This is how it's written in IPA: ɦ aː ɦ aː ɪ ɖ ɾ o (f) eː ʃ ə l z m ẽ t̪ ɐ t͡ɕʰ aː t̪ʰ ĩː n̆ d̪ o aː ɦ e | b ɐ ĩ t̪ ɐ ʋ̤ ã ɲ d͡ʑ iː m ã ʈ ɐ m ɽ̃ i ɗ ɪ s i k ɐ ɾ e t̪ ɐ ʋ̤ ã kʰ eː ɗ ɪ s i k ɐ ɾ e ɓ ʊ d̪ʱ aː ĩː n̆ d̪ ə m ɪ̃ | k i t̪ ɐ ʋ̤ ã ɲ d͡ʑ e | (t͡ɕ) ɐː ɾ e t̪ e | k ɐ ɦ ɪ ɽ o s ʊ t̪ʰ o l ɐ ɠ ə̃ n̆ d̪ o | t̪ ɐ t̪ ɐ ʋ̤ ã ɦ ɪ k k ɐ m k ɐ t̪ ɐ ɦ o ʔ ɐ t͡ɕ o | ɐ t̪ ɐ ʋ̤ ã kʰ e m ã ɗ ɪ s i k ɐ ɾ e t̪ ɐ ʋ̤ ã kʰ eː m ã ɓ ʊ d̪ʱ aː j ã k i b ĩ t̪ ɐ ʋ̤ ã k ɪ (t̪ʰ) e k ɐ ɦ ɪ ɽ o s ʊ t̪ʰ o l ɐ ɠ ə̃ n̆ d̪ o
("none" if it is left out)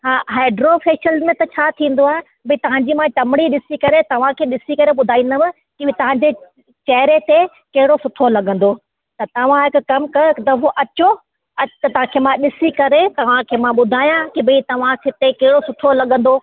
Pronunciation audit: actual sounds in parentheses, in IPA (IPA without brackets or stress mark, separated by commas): f, t͡ɕ, t̪